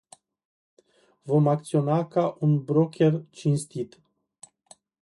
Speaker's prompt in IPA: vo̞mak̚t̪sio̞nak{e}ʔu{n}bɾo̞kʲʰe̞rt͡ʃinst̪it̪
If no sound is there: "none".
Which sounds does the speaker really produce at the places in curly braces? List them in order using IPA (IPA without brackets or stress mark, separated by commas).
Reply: a, n